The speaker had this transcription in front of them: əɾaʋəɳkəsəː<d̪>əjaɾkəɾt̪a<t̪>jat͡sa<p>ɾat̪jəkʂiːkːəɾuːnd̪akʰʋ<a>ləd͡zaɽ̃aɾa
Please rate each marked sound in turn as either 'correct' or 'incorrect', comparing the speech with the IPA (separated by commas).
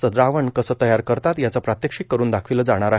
incorrect, correct, correct, incorrect